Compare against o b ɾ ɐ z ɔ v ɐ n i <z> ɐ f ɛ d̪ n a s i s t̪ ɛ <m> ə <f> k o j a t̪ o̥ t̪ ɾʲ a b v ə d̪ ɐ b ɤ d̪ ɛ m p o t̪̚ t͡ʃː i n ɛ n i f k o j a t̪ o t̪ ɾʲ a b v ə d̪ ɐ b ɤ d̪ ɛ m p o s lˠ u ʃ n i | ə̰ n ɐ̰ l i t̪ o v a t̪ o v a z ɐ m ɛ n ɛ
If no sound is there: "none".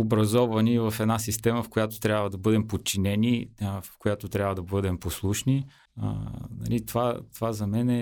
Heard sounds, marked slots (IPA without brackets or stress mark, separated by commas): v, m, f